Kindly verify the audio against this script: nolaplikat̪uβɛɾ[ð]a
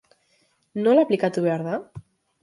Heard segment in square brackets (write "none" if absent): ð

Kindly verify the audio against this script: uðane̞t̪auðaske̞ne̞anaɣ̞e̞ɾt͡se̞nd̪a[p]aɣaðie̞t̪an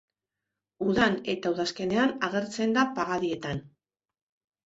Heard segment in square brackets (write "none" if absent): p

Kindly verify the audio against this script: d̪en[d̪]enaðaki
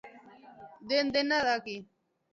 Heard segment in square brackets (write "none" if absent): d̪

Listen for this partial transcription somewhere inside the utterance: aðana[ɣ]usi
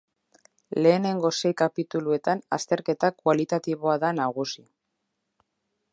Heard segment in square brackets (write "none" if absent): ɣ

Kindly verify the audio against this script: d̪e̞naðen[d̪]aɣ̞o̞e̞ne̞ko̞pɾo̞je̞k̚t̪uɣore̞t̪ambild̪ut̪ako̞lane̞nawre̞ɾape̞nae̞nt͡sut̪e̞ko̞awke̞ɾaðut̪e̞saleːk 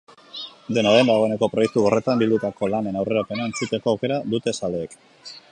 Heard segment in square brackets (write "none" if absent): d̪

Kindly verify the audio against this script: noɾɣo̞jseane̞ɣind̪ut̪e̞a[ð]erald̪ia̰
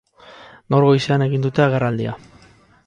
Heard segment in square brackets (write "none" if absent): ɣ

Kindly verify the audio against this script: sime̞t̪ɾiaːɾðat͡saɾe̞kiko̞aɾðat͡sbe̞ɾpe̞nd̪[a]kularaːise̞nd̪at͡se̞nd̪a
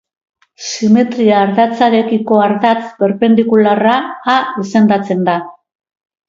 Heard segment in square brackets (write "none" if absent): i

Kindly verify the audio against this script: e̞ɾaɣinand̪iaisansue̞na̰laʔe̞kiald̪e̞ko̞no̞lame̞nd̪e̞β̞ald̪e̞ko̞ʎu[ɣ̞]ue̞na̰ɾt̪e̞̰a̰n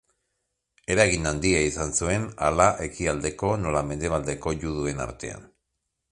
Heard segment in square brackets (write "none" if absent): ð̞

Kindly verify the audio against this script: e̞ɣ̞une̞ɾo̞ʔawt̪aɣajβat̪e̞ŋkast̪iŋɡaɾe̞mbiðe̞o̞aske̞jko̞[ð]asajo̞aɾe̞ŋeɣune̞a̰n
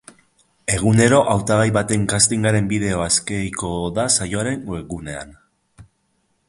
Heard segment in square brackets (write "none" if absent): ð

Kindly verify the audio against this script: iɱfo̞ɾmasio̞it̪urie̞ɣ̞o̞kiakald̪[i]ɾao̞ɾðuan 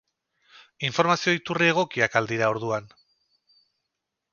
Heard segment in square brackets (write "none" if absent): i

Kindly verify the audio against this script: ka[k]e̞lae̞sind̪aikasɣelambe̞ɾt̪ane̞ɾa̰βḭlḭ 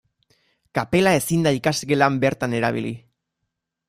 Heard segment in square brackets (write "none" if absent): p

